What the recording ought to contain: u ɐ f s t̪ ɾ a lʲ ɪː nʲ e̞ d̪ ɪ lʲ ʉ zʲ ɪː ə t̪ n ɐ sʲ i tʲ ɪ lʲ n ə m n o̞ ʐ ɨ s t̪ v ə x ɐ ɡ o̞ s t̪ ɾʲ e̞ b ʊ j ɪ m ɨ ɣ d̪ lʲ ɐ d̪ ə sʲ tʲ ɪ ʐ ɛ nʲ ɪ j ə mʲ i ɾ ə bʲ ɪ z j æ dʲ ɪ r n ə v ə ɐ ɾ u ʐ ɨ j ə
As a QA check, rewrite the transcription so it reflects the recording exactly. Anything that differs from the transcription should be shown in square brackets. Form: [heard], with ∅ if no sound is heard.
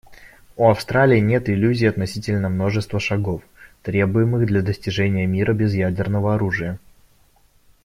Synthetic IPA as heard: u ɐ f s t̪ ɾ a lʲ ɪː nʲ e̞ [t̪] ɪ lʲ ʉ zʲ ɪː [ɐ] t̪ n ɐ sʲ i tʲ ɪ lʲ n ə m n o̞ ʐ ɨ s t̪ v ə [ʂ] ɐ ɡ o̞ [f] t̪ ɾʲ e̞ b ʊ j ɪ m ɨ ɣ d̪ lʲ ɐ d̪ ə sʲ tʲ ɪ ʐ ɛ nʲ ɪ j ə mʲ i ɾ ə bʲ ɪ z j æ dʲ ɪ r n ə v ə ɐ ɾ u ʐ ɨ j ə